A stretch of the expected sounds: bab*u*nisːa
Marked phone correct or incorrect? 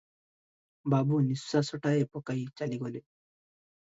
correct